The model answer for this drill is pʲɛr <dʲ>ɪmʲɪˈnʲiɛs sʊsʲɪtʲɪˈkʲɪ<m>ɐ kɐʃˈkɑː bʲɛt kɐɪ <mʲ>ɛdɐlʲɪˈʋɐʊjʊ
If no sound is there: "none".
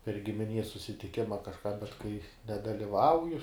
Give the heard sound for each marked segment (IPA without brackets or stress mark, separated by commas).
ɡʲ, m, nʲ